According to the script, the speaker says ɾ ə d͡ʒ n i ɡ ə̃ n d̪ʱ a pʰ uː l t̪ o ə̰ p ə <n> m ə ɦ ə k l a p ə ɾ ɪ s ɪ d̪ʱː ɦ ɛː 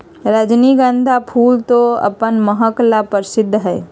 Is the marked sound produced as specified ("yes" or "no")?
yes